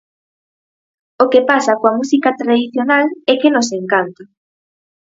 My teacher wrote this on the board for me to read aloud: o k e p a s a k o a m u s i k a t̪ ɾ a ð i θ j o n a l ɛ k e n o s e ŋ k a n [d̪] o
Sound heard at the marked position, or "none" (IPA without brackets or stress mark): t̪